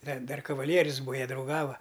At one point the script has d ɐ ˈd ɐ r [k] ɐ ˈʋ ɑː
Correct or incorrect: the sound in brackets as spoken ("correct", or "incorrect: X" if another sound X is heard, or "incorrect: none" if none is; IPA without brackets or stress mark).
correct